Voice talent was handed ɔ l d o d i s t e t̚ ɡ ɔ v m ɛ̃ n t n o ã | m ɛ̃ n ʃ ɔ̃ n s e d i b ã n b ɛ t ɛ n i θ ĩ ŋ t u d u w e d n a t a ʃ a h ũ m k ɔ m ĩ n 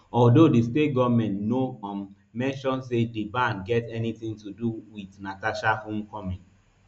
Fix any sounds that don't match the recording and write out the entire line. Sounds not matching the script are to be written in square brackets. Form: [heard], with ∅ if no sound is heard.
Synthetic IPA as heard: ɔ l d o d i s t e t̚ ɡ ɔ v m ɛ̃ n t n o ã | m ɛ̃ n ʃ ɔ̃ n s e d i b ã n [ɡ] ɛ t ɛ n i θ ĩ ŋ t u d u w [i] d n a t a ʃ a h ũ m k ɔ m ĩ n